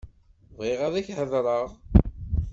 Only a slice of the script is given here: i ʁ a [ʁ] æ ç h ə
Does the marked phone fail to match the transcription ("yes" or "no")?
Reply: yes